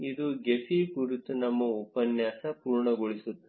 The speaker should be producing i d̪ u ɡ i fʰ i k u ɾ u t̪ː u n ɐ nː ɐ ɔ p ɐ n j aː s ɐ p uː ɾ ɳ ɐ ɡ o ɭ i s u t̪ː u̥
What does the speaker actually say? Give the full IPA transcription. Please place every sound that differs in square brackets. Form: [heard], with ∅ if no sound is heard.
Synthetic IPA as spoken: i d̪ u ɡ [e] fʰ i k u ɾ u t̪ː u n ɐ [mː] ɐ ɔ p ɐ n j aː s ɐ p uː ɾ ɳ ɐ ɡ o ɭ i s u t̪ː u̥